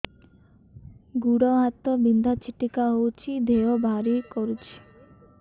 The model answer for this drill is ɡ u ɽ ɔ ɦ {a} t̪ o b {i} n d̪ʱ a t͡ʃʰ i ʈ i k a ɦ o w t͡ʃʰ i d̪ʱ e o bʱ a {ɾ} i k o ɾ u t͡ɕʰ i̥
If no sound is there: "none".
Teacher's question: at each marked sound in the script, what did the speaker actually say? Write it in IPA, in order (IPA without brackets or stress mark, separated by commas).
a, i, ɾ